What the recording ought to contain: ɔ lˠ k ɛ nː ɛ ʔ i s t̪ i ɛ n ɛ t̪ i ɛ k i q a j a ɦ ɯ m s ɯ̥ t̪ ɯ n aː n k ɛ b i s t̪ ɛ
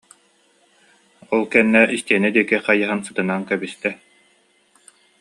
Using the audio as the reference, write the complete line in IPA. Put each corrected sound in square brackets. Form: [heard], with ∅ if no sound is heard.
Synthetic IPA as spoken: ɔ lˠ k ɛ nː ɛ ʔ i s t̪ i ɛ n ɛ [d̪] i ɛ k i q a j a ɦ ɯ [n] s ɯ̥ t̪ ɯ n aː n k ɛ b i s t̪ ɛ